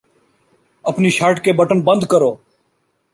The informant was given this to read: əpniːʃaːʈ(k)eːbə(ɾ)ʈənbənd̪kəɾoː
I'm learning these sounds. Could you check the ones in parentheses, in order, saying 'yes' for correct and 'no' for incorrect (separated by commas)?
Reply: yes, no